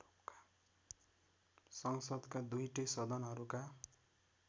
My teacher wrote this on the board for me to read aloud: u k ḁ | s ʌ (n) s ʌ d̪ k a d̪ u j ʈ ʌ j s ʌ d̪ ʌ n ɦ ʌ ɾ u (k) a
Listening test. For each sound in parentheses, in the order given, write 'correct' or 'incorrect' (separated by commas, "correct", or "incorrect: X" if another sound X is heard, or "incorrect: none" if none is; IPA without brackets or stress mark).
incorrect: ŋ, correct